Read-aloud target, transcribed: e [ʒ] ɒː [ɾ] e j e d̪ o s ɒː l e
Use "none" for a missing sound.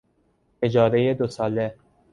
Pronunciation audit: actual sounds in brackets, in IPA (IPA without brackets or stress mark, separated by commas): d͡ʒ, ɾ